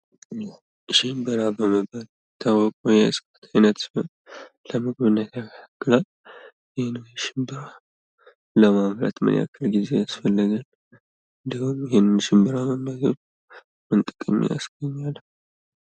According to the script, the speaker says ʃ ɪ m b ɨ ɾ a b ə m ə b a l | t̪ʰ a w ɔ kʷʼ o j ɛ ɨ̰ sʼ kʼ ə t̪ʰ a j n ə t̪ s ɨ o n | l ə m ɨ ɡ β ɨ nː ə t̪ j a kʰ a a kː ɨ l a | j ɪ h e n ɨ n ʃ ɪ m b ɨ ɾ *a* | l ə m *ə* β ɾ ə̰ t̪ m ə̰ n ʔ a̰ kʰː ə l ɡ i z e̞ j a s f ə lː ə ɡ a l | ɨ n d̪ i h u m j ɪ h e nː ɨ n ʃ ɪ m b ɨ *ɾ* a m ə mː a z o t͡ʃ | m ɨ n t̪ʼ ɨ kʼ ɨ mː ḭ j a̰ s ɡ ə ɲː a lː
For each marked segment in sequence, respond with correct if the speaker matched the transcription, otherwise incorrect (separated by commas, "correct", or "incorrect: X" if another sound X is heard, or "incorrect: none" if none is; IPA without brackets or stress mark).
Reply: correct, incorrect: a, correct